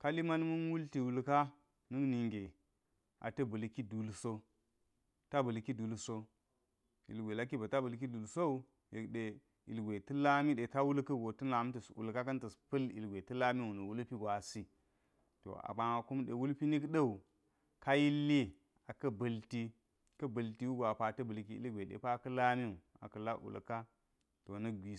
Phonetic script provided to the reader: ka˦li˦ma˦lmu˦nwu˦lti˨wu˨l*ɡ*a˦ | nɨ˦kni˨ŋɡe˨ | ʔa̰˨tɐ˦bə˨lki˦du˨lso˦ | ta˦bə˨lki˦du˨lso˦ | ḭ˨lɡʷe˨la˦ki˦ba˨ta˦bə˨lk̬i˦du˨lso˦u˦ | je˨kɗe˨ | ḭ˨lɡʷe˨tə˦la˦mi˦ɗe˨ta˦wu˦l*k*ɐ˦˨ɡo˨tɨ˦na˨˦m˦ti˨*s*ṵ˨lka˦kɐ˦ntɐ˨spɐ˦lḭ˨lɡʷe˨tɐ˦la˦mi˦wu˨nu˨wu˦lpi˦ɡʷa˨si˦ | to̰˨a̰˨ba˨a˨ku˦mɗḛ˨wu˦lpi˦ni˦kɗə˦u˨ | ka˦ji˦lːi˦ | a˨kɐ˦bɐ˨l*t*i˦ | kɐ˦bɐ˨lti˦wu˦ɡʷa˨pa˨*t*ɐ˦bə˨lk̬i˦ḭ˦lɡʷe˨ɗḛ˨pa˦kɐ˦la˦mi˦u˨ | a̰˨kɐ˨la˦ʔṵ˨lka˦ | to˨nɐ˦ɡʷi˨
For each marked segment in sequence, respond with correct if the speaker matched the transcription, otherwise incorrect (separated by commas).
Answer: incorrect, correct, correct, correct, correct